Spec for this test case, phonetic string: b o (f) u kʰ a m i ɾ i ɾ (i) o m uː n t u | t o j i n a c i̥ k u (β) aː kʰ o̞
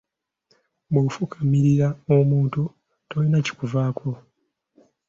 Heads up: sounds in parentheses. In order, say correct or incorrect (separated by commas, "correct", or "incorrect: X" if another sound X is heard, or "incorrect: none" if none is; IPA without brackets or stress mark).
correct, incorrect: a, incorrect: v